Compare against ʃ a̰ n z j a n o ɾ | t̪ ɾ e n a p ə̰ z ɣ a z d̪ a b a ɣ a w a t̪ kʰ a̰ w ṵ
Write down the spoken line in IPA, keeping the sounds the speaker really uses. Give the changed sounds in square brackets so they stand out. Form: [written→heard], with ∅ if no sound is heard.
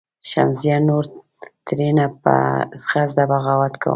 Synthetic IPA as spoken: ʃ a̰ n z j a n o ɾ | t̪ ɾ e n a p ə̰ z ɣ a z d̪ a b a ɣ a w a t̪ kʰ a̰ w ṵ